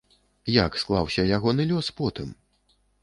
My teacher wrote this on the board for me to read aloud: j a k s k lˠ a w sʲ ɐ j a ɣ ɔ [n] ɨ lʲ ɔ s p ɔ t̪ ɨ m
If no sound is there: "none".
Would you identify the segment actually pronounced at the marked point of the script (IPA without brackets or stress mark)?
n